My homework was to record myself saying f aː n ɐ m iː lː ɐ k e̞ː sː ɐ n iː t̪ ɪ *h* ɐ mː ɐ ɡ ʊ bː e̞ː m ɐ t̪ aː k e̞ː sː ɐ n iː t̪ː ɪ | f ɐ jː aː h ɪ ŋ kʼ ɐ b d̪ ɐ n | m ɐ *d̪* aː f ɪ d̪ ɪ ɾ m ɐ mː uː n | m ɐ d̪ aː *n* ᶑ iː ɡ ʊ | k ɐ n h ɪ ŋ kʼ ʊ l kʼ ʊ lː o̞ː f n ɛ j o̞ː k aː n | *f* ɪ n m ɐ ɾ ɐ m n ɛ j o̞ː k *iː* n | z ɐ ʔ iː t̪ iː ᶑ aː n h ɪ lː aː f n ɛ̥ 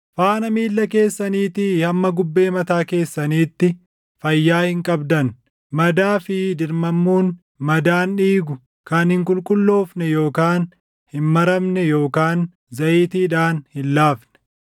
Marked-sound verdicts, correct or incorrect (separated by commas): correct, correct, correct, incorrect, incorrect